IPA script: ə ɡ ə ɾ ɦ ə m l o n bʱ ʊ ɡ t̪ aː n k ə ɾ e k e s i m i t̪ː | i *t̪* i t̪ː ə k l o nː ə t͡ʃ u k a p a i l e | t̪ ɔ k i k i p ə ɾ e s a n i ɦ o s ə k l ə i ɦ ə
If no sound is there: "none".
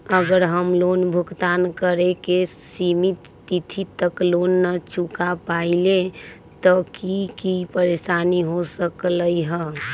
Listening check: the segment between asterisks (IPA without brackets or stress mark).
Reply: t̪ʰ